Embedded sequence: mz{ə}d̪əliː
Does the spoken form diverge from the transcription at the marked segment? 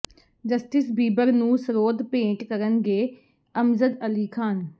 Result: no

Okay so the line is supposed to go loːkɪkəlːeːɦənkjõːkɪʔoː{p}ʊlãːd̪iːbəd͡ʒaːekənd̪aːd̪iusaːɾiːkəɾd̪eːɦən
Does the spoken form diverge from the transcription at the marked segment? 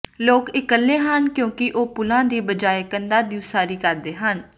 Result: no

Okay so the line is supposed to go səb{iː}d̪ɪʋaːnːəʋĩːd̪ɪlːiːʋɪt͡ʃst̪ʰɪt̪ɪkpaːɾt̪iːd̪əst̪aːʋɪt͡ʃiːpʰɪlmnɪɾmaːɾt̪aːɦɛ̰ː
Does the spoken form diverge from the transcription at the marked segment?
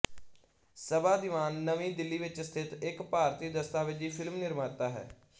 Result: yes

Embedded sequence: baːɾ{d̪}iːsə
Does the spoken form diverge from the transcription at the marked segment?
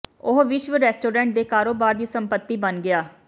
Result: no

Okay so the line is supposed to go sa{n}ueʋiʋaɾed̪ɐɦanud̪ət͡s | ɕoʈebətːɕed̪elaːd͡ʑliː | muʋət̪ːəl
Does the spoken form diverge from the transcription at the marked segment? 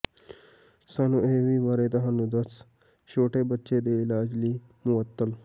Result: no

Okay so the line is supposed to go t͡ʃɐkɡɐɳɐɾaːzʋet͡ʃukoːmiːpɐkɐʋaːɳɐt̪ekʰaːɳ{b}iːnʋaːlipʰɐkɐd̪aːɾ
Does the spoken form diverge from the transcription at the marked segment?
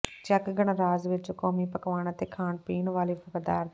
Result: yes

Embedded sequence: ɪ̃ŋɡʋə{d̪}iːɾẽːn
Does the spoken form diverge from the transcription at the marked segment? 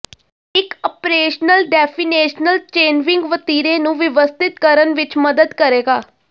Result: yes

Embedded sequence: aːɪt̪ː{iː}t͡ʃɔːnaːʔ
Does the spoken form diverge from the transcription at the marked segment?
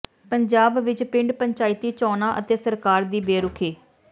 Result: no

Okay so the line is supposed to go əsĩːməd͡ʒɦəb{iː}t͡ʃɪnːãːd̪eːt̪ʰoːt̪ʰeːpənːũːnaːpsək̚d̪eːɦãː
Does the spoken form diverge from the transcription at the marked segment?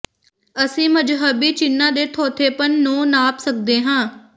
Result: no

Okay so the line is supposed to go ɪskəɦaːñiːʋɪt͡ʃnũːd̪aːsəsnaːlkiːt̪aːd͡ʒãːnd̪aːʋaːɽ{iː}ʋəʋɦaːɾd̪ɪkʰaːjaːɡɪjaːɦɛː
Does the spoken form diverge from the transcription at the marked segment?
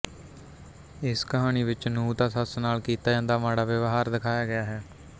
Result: yes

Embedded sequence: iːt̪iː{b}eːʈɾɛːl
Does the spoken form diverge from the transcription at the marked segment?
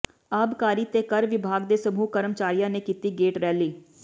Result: yes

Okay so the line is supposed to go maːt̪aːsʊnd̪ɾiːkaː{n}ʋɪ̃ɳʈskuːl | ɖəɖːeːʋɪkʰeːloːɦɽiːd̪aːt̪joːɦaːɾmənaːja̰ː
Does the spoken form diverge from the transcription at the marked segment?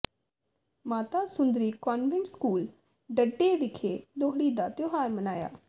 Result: no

